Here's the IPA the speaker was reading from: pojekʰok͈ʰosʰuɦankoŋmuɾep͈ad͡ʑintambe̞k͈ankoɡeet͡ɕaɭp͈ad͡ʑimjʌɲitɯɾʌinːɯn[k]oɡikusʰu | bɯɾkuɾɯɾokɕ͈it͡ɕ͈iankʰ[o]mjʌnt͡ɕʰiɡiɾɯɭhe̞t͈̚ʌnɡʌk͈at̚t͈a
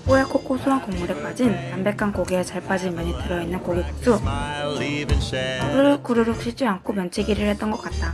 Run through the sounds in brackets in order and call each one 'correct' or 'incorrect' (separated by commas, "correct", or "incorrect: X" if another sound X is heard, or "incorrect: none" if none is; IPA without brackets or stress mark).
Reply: correct, correct